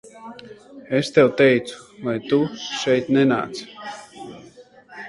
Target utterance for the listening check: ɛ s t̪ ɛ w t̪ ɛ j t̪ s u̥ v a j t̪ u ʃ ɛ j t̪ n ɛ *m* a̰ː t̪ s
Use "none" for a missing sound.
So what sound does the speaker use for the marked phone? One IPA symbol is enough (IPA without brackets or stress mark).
n